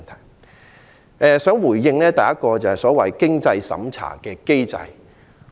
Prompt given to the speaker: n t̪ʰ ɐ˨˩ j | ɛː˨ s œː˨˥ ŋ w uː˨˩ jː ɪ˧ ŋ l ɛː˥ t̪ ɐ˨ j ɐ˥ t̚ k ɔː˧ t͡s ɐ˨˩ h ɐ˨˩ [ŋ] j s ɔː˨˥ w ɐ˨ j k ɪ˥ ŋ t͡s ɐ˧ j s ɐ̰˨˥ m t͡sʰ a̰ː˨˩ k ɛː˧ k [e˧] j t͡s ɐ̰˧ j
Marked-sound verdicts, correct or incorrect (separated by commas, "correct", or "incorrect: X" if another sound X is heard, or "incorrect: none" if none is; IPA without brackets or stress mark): incorrect: none, incorrect: e˥